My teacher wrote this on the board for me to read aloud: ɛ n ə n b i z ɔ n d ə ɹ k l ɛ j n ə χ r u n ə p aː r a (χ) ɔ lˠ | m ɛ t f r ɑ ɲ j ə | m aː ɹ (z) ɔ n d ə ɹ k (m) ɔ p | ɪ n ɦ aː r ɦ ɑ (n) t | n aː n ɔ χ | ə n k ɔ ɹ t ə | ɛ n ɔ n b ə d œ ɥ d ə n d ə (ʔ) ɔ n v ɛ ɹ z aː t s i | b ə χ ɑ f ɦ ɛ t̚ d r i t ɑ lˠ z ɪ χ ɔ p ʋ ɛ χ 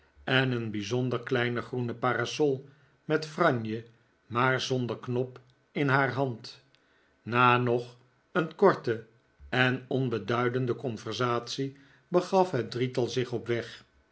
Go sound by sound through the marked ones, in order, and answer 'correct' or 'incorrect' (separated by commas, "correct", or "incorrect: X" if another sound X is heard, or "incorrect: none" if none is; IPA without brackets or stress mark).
incorrect: s, correct, incorrect: n, correct, incorrect: k